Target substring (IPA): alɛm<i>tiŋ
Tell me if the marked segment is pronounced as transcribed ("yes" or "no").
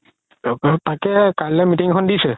yes